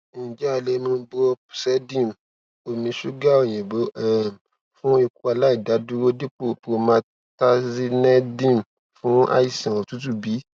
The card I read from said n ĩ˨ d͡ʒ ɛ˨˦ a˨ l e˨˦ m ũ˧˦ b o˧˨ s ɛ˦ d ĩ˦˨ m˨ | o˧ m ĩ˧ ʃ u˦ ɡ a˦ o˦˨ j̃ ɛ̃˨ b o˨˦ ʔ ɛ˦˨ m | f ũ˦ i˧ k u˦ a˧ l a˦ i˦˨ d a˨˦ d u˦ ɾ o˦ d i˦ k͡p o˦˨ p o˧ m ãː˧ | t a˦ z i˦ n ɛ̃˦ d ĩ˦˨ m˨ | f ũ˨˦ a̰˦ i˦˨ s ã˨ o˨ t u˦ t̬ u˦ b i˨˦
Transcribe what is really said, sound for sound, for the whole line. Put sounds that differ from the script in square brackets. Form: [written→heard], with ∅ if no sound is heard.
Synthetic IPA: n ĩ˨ d͡ʒ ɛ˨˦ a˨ l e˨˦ m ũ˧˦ b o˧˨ s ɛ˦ d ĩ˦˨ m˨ | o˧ m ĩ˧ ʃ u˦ ɡ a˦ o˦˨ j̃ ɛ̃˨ b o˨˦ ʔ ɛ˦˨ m | f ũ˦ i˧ k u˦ a˧ l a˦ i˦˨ d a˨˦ d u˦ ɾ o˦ d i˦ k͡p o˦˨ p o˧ m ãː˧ | t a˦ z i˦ n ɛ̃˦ d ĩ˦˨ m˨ | f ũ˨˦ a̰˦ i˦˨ s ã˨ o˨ t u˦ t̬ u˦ b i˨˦